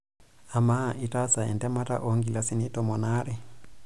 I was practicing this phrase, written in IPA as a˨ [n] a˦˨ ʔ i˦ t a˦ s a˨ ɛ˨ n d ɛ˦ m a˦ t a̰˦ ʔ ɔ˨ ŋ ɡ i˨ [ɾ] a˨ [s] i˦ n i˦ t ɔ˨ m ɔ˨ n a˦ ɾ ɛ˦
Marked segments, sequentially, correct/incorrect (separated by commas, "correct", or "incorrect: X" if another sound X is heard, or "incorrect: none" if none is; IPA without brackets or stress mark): incorrect: m, incorrect: l, correct